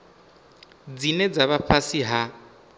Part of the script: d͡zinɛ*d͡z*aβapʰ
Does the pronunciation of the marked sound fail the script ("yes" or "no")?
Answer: no